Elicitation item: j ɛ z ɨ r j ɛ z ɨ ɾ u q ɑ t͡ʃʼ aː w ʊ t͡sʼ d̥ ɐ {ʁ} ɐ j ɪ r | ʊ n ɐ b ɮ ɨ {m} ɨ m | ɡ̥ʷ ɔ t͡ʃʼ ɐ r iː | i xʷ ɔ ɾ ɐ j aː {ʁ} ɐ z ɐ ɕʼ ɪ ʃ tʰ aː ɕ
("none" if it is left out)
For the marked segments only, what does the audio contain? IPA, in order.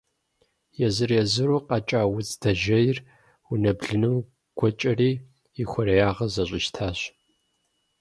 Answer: ʒ, n, ʁ

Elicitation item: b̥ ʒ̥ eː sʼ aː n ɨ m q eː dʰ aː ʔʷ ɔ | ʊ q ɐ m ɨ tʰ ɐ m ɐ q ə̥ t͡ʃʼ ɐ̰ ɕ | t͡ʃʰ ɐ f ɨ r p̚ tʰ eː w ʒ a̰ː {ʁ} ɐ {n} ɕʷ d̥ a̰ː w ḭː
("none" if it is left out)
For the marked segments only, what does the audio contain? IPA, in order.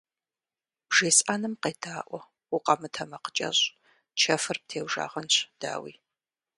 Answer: ʁ, n

